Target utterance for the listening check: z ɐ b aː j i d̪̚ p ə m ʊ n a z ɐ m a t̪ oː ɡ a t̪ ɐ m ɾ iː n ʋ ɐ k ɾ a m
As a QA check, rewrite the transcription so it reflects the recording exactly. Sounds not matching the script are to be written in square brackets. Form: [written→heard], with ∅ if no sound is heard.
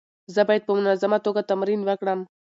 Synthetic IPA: z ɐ b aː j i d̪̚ p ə m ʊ n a z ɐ m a t̪ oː ɡ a t̪ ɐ m ɾ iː n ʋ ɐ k [ɾ→ɽ] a m